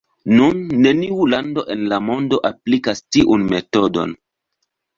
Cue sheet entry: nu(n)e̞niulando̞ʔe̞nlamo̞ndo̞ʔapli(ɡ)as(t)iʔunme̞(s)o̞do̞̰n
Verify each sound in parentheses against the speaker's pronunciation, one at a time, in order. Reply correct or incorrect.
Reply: incorrect: nː, incorrect: k, correct, incorrect: t

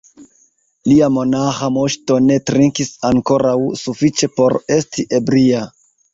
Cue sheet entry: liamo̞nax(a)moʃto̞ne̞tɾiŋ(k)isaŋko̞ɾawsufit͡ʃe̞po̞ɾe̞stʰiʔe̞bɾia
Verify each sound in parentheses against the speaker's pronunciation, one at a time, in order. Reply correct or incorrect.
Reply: correct, correct

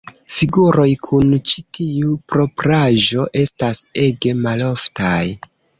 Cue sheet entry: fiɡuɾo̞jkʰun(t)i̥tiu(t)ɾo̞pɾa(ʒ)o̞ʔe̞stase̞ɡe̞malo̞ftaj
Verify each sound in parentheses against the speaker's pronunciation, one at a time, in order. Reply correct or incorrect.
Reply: incorrect: t͡ʃ, incorrect: p, correct

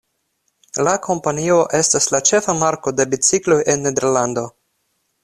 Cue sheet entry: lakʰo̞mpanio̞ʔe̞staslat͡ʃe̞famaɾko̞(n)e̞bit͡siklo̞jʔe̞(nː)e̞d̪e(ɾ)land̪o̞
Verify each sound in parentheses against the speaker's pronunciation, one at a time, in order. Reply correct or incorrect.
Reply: incorrect: d, correct, correct

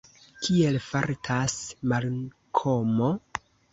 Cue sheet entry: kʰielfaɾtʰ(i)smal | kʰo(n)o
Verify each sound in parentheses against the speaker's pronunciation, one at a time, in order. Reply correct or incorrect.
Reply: incorrect: a, incorrect: m

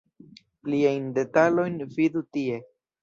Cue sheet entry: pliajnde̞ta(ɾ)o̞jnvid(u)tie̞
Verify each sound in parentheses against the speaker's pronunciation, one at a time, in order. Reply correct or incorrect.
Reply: incorrect: l, correct

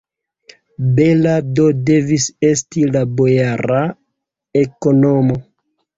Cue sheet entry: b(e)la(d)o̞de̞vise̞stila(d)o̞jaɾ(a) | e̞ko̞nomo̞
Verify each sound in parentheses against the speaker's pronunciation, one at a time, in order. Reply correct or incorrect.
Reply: correct, correct, incorrect: b, correct

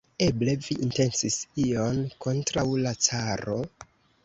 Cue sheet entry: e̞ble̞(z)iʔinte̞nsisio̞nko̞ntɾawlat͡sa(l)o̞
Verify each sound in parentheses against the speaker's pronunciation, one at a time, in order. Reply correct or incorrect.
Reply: incorrect: v, incorrect: ɾ

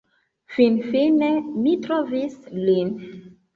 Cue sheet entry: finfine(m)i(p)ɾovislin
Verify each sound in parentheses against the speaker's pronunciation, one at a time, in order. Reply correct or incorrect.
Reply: correct, incorrect: t

